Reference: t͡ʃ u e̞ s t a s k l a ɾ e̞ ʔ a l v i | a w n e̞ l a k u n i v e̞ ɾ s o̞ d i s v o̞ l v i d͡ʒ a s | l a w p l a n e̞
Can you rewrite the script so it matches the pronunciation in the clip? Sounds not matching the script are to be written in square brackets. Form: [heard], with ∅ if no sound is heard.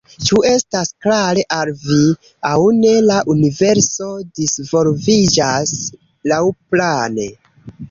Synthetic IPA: t͡ʃ u e̞ s t a s k l a ɾ e̞ ʔ a l v i | a w n e̞ l a [ʔ] u n i v e̞ ɾ s o̞ d i s v o̞ l v i d͡ʒ a s | l a w p l a n e̞